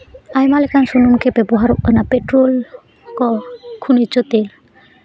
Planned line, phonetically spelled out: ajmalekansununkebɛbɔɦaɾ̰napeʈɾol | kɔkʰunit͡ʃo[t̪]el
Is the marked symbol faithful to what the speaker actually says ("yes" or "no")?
yes